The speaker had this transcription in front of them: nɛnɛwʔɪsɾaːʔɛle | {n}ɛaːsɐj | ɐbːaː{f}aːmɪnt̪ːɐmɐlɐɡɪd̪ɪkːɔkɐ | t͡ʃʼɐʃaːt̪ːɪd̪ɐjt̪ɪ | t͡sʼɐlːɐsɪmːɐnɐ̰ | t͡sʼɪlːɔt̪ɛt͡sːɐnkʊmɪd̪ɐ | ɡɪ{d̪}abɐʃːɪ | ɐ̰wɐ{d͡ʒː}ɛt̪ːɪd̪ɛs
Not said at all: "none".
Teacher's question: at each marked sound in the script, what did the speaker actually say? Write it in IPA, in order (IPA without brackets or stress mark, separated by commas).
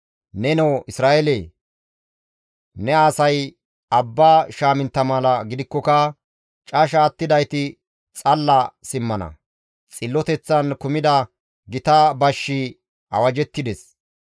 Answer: n, ʃ, t̪, d͡ʒ